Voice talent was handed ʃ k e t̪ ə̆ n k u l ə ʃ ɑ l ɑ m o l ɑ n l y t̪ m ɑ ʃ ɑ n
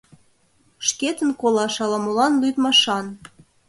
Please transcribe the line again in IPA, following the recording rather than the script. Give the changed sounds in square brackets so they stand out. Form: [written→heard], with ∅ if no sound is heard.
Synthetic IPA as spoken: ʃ k e t̪ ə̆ n k [u→o] l [ə→ɑ] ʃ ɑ l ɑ m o l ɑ n l y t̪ m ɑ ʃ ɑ n

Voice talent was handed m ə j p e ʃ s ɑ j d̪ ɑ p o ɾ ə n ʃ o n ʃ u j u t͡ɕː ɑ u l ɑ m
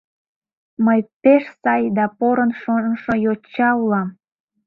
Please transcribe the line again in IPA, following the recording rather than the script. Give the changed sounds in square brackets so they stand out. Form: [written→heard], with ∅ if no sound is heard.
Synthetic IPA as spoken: m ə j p e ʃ s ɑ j d̪ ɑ p o ɾ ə n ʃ o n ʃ [u→o] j [u→o] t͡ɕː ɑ u l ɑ m

